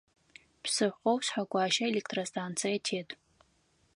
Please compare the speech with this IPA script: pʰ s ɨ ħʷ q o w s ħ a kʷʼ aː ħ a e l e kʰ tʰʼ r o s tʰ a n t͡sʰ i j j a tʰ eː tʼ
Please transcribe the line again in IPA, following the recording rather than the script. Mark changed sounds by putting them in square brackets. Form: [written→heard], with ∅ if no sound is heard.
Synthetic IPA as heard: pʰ s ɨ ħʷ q o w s ħ a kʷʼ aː [ħ→ʃ] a e l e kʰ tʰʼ r o s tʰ a n t͡sʰ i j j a tʰ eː tʼ